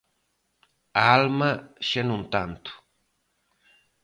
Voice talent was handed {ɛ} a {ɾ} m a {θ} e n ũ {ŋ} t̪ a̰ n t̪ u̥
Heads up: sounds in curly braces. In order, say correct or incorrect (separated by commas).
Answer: incorrect, incorrect, incorrect, incorrect